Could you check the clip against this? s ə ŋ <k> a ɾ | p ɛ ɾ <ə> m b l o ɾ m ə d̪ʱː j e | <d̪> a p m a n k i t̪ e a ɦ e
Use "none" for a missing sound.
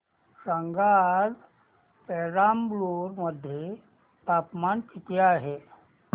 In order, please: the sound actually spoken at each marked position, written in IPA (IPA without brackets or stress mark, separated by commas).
ɡ, a, t̪